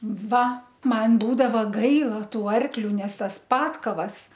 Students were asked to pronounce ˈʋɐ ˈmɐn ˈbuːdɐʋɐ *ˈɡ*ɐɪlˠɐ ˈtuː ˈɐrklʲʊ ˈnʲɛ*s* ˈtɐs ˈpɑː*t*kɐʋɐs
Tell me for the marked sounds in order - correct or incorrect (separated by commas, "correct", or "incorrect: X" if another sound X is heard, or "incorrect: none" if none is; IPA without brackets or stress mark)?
correct, correct, correct